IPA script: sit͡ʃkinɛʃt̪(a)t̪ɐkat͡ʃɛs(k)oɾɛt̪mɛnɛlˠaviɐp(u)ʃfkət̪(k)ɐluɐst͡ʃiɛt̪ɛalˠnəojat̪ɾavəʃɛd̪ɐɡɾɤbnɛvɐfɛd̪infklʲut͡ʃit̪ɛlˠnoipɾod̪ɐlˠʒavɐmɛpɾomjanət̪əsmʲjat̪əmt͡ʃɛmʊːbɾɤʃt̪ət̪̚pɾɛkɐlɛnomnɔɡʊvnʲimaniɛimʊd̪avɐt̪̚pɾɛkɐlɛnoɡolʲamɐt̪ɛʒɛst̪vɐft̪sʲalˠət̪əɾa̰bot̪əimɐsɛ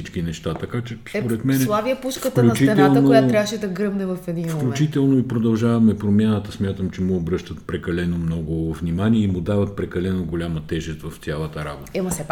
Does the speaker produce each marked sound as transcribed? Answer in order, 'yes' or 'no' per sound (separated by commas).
yes, no, yes, yes